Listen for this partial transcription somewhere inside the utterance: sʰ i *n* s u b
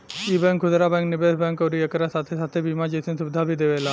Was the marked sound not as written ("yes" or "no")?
no